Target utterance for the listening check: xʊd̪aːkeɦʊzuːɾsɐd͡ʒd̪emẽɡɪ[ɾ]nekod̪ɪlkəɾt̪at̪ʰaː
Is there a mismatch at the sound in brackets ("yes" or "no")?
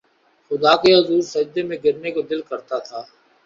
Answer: no